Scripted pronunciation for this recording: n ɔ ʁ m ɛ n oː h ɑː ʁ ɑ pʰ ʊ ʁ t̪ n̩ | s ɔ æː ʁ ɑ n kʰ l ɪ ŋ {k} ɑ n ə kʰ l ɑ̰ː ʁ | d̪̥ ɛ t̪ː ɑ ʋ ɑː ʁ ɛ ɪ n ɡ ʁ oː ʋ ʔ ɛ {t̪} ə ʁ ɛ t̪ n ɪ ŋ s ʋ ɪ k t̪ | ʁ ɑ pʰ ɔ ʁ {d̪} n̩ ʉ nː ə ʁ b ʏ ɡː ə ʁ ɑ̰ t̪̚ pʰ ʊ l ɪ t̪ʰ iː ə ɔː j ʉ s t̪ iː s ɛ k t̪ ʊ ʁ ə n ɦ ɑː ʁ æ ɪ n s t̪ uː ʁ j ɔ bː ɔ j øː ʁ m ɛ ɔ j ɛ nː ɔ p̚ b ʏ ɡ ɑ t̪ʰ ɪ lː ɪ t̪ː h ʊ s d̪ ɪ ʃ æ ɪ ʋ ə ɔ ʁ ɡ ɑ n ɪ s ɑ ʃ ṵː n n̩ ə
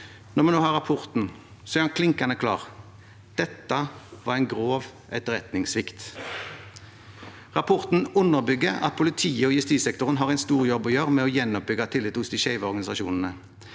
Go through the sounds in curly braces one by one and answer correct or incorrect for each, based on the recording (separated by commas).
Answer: correct, correct, incorrect